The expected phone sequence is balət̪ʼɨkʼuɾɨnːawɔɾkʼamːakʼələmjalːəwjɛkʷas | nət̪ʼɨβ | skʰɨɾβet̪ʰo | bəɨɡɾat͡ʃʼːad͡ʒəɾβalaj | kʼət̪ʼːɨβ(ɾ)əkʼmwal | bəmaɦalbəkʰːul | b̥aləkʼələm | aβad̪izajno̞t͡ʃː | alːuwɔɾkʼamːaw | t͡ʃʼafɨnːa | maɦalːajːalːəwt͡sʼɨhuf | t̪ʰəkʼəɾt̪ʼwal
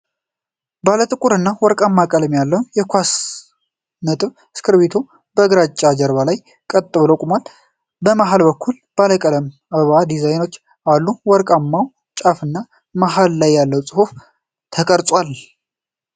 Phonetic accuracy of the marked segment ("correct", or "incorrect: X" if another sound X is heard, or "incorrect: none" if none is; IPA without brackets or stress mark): incorrect: l